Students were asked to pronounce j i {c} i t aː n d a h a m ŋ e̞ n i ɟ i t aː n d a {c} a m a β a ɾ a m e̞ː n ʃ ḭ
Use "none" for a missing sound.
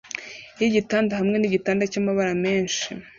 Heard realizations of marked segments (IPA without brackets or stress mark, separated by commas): ɟ, c